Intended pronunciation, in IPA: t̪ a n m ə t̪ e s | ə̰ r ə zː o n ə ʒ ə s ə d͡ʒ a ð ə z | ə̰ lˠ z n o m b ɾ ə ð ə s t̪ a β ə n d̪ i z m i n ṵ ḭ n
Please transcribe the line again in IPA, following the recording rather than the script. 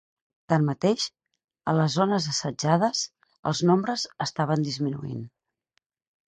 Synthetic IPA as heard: t̪ a n m ə t̪ e ʃ | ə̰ l ə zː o n ə z ə s ə d͡ʒ a ð ə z | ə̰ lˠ z n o m b ɾ ə z ə s t̪ a β ə n d̪ i z m i n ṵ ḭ n